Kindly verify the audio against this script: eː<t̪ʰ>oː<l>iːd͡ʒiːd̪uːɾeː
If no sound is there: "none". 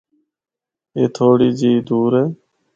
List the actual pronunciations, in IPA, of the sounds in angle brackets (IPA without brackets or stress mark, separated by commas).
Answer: t̪ʰ, ɽ